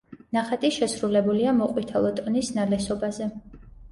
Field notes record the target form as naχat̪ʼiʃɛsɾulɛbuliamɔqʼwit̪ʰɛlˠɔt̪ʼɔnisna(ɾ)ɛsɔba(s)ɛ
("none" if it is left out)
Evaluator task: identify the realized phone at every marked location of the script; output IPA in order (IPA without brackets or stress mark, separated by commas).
l, z